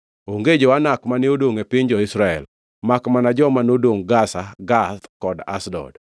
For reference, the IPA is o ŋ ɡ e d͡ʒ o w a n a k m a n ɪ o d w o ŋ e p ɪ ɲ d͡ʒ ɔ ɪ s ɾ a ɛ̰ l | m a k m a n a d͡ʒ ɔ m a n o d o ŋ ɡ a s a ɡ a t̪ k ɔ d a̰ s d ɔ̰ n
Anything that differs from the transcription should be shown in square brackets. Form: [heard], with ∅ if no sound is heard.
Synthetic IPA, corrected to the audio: o ŋ ɡ e d͡ʒ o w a n a k m a n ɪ o d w o ŋ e p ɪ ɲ d͡ʒ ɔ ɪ s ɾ a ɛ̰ l | m a k m a n a d͡ʒ ɔ m a n o d o ŋ ɡ a s a ɡ a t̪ k ɔ d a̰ s d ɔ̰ [d]